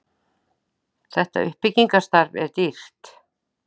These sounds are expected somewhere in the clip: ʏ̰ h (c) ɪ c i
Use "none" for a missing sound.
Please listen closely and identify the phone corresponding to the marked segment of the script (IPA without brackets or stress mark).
p